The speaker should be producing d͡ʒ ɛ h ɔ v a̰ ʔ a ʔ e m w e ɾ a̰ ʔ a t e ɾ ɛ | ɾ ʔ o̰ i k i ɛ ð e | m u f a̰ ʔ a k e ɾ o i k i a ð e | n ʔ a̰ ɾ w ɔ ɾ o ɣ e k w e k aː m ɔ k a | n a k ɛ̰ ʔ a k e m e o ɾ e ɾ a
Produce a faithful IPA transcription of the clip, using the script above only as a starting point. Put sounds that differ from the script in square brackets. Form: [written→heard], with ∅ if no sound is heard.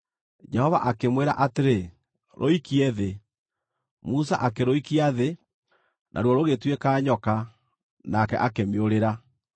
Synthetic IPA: d͡ʒ ɛ h ɔ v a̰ ʔ a [ʔ→k] e m w e ɾ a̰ ʔ a t e ɾ [ɛ→e] | ɾ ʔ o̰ i k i ɛ ð e | m u [f→s] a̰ ʔ a k e ɾ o i k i a ð e | n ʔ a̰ ɾ w ɔ ɾ o ɣ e [k→t] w e k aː [m→ɲ] ɔ k a | n a k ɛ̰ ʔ a k e m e o ɾ e ɾ a

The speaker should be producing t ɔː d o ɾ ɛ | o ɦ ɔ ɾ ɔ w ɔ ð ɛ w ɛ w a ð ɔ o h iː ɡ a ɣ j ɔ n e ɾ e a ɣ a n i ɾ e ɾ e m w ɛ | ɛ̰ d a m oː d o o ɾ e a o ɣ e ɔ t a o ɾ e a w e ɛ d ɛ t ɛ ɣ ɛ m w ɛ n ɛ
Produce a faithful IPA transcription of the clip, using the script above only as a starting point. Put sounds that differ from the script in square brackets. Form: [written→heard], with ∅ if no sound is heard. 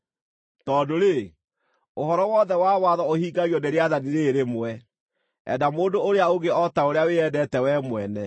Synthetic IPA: t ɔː d o ɾ [ɛ→e] | o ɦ ɔ ɾ ɔ w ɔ ð ɛ w [ɛ→a] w a ð ɔ o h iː ɡ a ɣ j ɔ n e ɾ e a [ɣ→ð] a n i ɾ e ɾ e m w ɛ | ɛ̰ d a m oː d o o ɾ e a o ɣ e ɔ t a o ɾ e a w e ɛ d ɛ t ɛ [ɣ→w] ɛ m w ɛ n ɛ

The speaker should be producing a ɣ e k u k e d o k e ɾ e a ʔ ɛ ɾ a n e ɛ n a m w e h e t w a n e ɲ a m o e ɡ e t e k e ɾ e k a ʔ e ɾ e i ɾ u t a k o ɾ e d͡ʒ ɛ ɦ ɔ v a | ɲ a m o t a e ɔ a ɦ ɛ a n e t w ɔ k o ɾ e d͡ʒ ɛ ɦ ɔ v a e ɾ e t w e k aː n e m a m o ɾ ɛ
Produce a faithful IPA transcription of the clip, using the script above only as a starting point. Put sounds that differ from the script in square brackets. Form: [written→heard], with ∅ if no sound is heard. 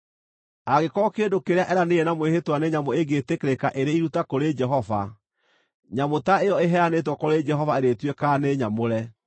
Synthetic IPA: a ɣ e k [u→ɔ] k e d o k e ɾ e a ʔ ɛ ɾ a n e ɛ n a m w e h e t w a n e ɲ a m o e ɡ e t e k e ɾ e k a ʔ e ɾ e i ɾ u t a k o ɾ e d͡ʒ ɛ ɦ ɔ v a | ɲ a m o t a e ɔ [a→e] ɦ ɛ a n e t w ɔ k o ɾ e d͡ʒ ɛ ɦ ɔ v a e ɾ e t w e k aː n e [m→ɲ] a m o ɾ ɛ

